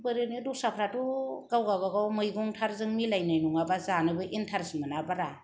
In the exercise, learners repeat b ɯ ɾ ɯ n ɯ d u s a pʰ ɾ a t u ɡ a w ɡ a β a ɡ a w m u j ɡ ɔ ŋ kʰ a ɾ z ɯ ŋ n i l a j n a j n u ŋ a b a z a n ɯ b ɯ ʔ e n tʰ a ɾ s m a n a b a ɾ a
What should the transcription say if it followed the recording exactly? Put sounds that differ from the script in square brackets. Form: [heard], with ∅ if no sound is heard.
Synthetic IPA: b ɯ ɾ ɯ n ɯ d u s a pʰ ɾ a t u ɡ a w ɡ a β a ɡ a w m [ɯ] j ɡ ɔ ŋ [tʰ] a ɾ z ɯ ŋ [m] i l a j n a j n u ŋ a b a z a n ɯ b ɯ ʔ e n tʰ a ɾ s m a n a b a ɾ a